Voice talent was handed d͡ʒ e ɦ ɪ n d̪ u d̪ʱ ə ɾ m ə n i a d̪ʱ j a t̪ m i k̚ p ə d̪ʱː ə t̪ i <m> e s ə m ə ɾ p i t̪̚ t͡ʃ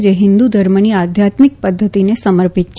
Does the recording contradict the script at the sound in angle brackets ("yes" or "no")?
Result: yes